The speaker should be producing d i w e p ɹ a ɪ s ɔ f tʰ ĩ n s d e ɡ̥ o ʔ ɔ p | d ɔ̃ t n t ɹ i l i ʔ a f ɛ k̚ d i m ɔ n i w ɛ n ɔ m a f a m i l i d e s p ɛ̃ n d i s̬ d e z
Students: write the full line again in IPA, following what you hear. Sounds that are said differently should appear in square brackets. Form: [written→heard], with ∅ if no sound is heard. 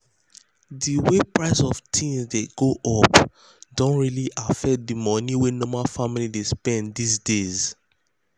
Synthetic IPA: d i w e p ɹ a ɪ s ɔ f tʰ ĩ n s d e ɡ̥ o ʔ ɔ p | d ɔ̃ [t→∅] n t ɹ i l i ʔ a f ɛ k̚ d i m ɔ n i w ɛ n ɔ m a f a m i l i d e s p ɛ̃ n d i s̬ d e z